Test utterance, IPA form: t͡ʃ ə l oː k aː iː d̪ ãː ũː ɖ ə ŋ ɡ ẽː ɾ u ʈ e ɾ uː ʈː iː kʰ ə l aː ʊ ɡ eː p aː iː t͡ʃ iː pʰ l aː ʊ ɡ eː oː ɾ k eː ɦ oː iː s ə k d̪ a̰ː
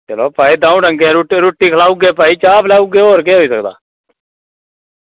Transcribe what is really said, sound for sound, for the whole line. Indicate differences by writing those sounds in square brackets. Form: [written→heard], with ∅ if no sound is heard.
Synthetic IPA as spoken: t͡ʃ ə l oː [k→p] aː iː d̪ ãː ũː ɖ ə ŋ ɡ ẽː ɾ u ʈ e ɾ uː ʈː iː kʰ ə l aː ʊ ɡ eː p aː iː t͡ʃ [iː→aː] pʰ l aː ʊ ɡ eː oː ɾ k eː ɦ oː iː s ə k d̪ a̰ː